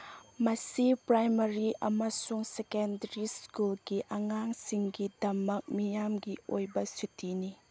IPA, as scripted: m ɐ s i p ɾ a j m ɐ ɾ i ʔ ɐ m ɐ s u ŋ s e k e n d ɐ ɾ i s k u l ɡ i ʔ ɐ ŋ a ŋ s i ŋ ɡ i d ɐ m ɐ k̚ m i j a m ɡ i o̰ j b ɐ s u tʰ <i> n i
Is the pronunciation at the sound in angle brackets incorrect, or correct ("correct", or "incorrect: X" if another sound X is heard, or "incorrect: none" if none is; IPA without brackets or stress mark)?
correct